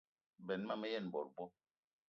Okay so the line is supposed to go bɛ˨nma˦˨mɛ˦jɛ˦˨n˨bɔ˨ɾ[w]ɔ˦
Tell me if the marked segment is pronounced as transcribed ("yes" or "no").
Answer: no